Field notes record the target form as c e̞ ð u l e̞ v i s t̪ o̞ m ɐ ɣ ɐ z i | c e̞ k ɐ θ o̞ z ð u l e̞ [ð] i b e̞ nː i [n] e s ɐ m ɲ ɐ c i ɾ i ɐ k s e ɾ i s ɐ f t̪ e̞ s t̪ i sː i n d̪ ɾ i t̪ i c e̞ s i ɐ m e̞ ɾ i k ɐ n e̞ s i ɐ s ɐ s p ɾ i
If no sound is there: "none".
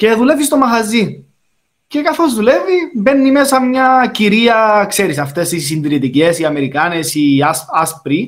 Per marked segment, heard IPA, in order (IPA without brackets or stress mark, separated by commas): v, m